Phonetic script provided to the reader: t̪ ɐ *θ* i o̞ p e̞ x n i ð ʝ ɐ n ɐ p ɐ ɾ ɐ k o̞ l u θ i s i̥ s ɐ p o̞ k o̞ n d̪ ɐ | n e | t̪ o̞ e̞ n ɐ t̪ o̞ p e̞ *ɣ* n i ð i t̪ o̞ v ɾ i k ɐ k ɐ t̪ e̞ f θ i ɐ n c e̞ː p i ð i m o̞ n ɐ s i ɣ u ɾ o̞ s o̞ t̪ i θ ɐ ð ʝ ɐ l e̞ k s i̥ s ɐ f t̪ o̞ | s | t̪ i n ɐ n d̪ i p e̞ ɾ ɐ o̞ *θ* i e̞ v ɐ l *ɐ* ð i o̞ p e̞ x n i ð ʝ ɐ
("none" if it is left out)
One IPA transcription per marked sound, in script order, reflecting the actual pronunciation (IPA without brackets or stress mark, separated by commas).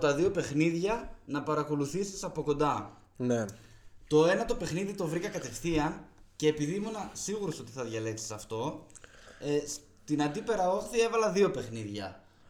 ð, x, θ, ɐ